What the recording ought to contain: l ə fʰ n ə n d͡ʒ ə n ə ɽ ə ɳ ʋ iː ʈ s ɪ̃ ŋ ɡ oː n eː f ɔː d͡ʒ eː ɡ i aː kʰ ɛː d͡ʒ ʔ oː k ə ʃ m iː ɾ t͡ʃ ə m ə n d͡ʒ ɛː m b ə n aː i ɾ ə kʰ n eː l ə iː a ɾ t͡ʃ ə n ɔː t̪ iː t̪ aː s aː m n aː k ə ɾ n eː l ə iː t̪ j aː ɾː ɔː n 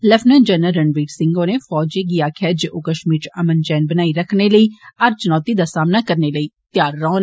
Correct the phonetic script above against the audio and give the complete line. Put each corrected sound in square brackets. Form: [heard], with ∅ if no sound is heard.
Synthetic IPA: l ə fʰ n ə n d͡ʒ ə n ə [ɾ] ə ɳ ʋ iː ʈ s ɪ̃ ŋ ɡ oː n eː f ɔː d͡ʒ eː ɡ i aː kʰ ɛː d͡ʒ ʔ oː k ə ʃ m iː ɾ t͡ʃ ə m ə n d͡ʒ ɛː [n] b ə n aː i ɾ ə kʰ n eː l ə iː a ɾ t͡ʃ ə n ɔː t̪ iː [d̪] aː s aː m n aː k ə ɾ n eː l ə iː t̪ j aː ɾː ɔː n